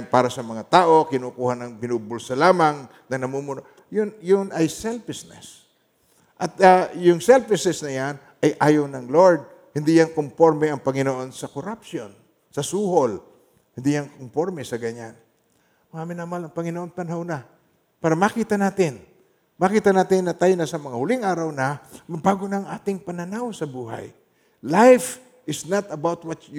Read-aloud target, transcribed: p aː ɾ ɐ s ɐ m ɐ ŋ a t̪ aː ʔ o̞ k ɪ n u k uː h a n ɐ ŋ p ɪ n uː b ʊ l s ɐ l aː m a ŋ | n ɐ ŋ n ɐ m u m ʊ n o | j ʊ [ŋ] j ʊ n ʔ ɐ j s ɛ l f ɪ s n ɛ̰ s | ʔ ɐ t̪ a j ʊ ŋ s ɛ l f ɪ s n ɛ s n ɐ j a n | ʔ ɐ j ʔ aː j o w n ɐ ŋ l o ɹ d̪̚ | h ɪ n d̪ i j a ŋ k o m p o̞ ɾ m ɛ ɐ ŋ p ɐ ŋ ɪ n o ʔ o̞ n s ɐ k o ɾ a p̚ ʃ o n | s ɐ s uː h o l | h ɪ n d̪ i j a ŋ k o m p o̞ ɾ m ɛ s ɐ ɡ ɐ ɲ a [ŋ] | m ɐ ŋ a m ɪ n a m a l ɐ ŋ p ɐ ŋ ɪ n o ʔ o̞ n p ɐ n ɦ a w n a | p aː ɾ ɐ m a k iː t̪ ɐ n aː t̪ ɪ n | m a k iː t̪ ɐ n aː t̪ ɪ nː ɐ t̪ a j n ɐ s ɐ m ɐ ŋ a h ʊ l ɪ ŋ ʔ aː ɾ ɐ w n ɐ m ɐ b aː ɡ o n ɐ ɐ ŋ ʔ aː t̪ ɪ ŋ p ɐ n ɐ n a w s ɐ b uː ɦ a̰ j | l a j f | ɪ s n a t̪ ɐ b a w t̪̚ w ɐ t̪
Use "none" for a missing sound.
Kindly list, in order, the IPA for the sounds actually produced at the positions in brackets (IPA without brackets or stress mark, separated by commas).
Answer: n, n